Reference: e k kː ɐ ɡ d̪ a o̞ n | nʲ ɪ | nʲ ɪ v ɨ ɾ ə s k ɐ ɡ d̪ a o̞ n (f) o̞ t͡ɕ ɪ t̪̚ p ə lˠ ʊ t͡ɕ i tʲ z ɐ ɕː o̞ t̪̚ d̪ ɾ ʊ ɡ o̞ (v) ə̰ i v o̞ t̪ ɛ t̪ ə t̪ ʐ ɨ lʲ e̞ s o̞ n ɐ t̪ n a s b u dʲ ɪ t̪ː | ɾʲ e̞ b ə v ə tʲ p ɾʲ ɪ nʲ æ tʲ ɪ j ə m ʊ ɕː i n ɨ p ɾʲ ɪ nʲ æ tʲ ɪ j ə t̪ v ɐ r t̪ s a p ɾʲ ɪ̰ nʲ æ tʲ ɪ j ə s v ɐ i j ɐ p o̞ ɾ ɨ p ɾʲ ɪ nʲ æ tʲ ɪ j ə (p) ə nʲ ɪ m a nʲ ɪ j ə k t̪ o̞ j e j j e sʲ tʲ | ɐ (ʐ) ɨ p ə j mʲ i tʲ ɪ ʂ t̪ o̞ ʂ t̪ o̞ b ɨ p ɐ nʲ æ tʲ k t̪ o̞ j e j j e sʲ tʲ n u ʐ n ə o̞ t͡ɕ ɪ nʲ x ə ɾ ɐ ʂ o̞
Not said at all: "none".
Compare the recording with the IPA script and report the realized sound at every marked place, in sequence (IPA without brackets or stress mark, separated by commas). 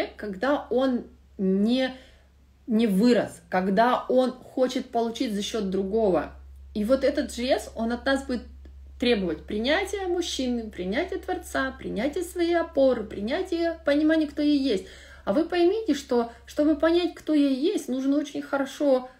x, v, p, v